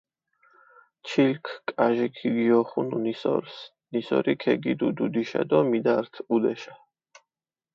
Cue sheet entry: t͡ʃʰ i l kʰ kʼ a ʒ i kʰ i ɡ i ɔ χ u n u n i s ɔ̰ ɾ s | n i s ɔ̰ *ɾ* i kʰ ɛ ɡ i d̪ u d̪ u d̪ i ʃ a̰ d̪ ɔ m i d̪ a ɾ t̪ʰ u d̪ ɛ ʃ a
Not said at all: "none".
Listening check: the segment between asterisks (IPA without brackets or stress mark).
ɾ